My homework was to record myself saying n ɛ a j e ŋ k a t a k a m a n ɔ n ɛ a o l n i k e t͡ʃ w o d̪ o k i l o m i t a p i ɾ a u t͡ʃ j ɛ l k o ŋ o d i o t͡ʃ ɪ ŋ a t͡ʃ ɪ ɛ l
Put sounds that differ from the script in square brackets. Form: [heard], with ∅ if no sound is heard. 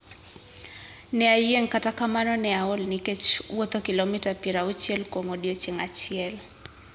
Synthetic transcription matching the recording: n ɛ a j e ŋ k a t a k a m a n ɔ n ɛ a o l n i k e t͡ʃ w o [t̪] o k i l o m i t a p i ɾ a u t͡ʃ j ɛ l k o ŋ o d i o t͡ʃ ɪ ŋ a t͡ʃ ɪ ɛ l